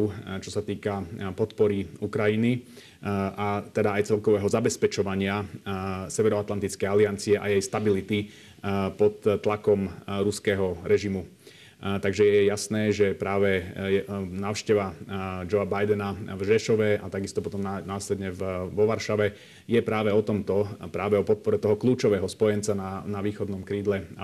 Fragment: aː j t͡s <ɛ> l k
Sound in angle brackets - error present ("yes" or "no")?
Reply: no